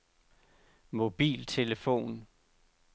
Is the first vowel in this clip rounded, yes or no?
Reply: yes